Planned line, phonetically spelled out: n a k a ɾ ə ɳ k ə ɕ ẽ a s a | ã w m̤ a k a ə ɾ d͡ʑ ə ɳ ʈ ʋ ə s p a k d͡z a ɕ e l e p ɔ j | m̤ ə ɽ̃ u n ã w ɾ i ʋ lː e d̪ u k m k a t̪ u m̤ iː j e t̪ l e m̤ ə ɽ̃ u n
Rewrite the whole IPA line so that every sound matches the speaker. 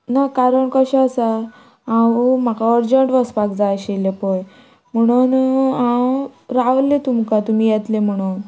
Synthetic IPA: n a k a ɾ ə ɳ k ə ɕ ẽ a s a | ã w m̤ a k a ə ɾ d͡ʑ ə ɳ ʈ ʋ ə s p a k d͡z a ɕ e l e p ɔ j | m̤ ə ɽ̃ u n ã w ɾ a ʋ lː e t̪ u m k a t̪ u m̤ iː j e t̪ l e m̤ ə ɽ̃ u n